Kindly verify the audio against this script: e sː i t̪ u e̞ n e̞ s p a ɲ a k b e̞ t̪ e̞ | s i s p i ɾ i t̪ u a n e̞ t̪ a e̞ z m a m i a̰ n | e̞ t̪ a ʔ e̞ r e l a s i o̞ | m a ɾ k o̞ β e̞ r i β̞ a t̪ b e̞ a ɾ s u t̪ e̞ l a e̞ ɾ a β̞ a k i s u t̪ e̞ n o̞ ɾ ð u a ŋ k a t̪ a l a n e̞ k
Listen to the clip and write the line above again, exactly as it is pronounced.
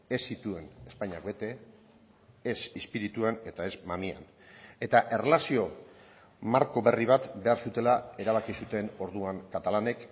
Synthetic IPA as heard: e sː i t̪ u e̞ n e̞ s p a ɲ a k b e̞ t̪ e̞ | s i s p i ɾ i t̪ u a n e̞ t̪ a e̞ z m a m i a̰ n | e̞ t̪ a ʔ e̞ r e l a s i o̞ | m a ɾ k o̞ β e̞ r i β̞ a t̪ b e̞ a ɾ s u t̪ e̞ l a e̞ ɾ a β̞ a k i s u t̪ e̞ n o̞ ɾ ð u a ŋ k a t̪ a l a n e̞ k